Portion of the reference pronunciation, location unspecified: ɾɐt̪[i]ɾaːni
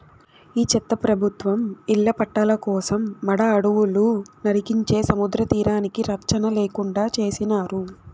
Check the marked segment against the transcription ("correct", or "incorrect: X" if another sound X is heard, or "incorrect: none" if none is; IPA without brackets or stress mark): incorrect: iː